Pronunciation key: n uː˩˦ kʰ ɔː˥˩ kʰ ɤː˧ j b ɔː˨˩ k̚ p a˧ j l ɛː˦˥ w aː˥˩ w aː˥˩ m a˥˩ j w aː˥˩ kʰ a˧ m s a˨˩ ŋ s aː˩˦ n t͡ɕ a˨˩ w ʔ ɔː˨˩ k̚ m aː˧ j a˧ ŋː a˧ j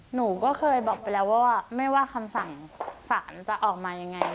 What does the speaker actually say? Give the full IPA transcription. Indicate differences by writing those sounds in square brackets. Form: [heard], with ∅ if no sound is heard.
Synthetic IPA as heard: n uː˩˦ [k] ɔː˥˩ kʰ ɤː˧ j b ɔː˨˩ k̚ p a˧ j l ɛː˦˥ w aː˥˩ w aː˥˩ m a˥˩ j w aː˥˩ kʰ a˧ m s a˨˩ ŋ s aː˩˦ n t͡ɕ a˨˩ [∅] ʔ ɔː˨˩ k̚ m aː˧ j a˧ ŋː a˧ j